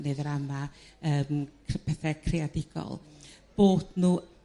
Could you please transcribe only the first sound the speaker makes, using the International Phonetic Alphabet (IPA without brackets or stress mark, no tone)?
n